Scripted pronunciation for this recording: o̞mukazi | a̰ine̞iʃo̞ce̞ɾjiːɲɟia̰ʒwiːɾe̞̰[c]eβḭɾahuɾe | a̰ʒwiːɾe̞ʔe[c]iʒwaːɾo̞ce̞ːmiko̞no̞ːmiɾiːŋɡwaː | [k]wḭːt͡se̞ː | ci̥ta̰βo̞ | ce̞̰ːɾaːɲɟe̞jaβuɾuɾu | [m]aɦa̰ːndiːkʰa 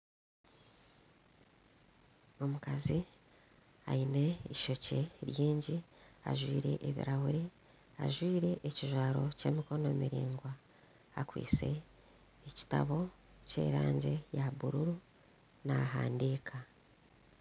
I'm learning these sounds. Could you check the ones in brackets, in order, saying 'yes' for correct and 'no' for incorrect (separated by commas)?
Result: no, yes, yes, no